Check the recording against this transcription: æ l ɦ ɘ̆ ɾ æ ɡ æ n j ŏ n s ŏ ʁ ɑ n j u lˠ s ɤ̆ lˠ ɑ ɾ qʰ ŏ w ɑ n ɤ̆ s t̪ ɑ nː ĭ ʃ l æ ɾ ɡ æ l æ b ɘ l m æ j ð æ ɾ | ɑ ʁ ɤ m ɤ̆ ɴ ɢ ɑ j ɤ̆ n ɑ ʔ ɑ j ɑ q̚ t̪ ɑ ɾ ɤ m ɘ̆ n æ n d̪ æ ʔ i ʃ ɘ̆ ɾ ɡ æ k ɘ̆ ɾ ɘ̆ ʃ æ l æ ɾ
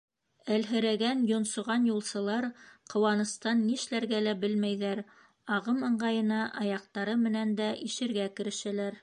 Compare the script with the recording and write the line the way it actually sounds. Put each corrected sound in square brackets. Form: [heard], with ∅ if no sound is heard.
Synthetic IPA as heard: æ l ɦ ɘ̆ ɾ æ ɡ æ n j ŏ n s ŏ ʁ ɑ n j u lˠ s ɤ̆ lˠ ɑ ɾ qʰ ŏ w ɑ n ɤ̆ s t̪ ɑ nː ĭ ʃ l æ ɾ ɡ æ l æ b ɘ l m æ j ð æ ɾ | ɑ ʁ ɤ m ɤ̆ ɴ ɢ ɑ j ɤ̆ n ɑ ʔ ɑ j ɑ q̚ t̪ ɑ ɾ ɤ m ɘ̆ n æ n d̪ æ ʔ i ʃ ɘ̆ ɾ ɡ æ k ɘ̆ ɾ ɘ̆ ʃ æ l æ ɾ